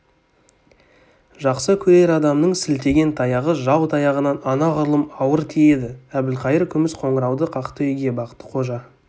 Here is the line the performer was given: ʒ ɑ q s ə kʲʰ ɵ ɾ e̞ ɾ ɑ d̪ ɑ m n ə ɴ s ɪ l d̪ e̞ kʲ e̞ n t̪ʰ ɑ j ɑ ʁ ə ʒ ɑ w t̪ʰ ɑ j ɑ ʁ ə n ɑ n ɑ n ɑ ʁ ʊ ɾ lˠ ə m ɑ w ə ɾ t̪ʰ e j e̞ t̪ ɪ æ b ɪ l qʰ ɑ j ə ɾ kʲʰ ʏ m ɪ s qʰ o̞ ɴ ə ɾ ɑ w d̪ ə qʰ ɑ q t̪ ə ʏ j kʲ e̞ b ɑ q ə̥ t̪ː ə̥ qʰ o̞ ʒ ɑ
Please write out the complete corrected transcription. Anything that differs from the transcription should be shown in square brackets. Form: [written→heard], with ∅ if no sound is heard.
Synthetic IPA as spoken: ʒ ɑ q s ə kʲʰ ɵ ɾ e̞ ɾ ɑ d̪ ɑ m n ə ɴ s ɪ l [d̪→t̪] e̞ [kʲ→ɡʲ] e̞ n t̪ʰ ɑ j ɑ ʁ ə ʒ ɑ w t̪ʰ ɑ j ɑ ʁ ə n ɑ n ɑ n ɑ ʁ ʊ ɾ lˠ ə m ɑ w ə ɾ t̪ʰ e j e̞ [t̪→d̪] ɪ æ b ɪ l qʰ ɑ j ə ɾ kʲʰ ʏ m ɪ s qʰ o̞ ɴ ə ɾ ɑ w d̪ ə qʰ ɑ q t̪ ə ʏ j [kʲ→ɡʲ] e̞ b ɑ q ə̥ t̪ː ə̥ qʰ o̞ ʒ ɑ